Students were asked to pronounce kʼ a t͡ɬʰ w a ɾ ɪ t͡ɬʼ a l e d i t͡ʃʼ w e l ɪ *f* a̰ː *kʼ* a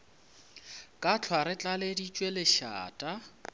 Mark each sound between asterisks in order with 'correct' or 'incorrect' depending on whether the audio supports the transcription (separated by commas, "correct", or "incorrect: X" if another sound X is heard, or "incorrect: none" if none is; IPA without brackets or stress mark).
incorrect: ʃ, incorrect: tʼ